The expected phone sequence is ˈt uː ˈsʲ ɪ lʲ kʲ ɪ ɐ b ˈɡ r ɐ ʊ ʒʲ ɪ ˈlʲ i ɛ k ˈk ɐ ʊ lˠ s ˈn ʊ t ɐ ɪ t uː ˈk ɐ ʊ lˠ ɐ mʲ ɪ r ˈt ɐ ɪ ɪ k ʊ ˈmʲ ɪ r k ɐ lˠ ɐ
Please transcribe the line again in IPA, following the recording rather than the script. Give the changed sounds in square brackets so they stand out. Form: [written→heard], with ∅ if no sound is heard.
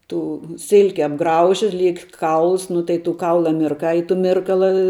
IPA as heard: ˈt uː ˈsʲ ɪ lʲ kʲ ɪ ɐ b ˈɡ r ɐ ʊ ʒʲ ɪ ˈlʲ i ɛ k ˈk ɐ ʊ lˠ s ˈn ʊ t ɐ ɪ t uː ˈk ɐ ʊ lˠ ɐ mʲ ɪ r [ˈt→ˈk] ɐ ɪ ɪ [k→t] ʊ ˈmʲ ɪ r k ɐ lˠ ɐ